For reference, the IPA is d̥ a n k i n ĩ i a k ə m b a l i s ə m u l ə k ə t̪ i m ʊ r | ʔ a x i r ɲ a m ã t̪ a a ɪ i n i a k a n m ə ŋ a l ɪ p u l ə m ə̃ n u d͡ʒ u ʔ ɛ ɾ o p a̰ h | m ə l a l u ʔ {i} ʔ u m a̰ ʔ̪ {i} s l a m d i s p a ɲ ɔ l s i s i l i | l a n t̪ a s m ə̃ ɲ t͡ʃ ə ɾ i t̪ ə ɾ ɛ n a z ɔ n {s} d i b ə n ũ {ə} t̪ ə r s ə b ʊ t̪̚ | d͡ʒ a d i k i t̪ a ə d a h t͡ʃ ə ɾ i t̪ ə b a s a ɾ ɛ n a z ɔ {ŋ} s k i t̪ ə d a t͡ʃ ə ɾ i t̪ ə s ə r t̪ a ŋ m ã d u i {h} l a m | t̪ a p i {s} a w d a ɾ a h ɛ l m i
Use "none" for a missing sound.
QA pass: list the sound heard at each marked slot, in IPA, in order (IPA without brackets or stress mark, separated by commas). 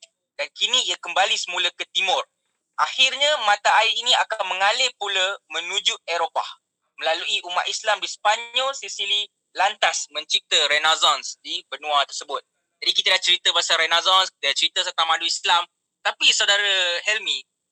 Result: i, i, s, a, n, s, s